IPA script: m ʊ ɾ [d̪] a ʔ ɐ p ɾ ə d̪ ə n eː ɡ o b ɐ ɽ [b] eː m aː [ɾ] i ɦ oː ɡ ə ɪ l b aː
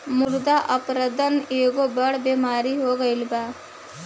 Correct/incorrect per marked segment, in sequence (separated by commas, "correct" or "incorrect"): correct, correct, correct